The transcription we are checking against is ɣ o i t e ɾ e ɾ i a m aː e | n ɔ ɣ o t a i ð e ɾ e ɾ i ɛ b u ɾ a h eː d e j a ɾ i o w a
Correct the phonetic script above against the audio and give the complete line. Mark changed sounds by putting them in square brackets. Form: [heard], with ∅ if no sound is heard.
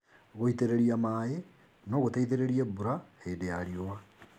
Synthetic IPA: ɣ o i t e ɾ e ɾ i a m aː e | n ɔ ɣ o t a i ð e ɾ e ɾ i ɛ b u ɾ a h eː d e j a ɾ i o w a